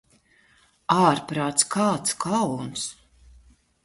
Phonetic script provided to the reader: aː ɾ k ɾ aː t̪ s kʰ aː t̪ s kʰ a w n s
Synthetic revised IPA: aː ɾ p ɾ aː t̪ s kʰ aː t̪ s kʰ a w n s